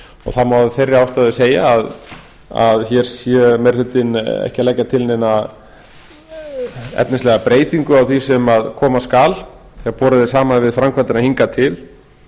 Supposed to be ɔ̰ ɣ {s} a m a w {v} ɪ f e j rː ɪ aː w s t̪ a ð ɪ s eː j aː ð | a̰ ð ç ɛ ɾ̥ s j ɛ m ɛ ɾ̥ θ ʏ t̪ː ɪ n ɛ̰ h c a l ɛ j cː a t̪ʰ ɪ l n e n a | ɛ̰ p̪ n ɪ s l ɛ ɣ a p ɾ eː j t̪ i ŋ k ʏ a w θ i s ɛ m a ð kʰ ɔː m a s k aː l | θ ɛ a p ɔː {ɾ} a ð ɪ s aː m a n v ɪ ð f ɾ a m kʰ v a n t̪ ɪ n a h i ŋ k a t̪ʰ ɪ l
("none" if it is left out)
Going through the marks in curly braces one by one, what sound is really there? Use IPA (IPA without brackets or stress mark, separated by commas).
θ, ð, ɾ